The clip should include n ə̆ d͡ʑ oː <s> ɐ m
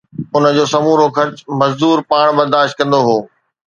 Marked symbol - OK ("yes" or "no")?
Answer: yes